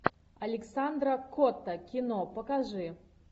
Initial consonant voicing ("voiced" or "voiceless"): voiced